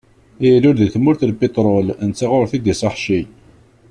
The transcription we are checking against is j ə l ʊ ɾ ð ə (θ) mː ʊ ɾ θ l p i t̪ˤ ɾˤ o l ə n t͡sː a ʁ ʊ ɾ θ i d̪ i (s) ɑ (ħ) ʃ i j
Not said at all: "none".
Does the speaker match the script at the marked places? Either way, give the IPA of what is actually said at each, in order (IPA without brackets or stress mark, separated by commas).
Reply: θ, s, ħ